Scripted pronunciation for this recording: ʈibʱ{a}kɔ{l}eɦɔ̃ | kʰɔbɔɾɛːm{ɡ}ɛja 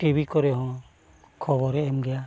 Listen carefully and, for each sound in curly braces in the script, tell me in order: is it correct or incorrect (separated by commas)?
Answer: incorrect, incorrect, correct